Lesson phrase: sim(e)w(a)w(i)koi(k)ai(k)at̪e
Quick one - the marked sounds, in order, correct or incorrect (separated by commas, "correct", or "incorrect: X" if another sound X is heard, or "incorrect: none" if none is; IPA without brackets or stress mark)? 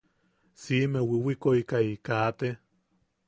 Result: correct, incorrect: i, correct, correct, correct